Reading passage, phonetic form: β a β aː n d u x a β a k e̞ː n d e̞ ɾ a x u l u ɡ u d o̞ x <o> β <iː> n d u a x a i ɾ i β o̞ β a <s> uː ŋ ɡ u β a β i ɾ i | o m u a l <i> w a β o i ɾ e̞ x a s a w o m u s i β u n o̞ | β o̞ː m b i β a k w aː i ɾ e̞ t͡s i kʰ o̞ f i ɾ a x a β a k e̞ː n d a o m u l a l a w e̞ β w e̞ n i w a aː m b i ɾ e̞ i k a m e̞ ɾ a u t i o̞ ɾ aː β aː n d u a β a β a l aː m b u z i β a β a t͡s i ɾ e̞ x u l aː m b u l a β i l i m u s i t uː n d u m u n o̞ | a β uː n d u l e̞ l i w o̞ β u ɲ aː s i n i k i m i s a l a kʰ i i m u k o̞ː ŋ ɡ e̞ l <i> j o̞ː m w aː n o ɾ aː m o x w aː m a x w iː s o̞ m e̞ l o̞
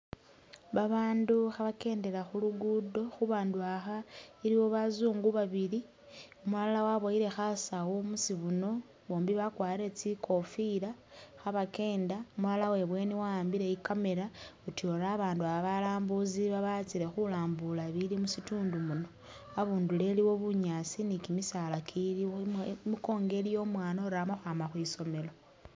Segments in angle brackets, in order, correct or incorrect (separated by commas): incorrect, incorrect, incorrect, incorrect, correct